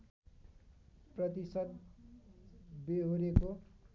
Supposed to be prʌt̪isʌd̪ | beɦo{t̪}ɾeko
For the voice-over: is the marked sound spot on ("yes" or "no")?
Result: no